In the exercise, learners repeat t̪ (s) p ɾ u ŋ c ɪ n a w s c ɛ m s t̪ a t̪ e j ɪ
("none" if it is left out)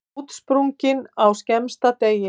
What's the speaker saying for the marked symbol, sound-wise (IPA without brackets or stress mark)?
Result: s